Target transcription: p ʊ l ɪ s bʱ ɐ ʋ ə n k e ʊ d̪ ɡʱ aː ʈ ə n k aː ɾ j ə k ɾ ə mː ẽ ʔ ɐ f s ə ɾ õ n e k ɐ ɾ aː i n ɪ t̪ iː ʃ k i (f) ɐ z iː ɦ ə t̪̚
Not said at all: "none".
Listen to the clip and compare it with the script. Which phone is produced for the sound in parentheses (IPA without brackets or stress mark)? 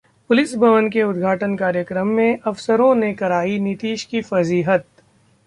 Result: f